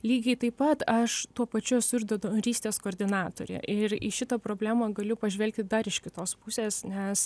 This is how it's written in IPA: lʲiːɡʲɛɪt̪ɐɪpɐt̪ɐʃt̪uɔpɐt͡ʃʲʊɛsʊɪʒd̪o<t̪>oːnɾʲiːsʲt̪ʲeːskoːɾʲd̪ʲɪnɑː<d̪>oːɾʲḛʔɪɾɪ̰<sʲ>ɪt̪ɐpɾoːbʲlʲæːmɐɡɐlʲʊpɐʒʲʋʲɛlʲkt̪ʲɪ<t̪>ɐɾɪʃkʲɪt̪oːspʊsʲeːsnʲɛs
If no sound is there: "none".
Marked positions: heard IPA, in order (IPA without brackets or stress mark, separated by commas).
d̪, t̪, ʃʲ, d̪